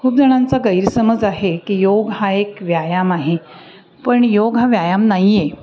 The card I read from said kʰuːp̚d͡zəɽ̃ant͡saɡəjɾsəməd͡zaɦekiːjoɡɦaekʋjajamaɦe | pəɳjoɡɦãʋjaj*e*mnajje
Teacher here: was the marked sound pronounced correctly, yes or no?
no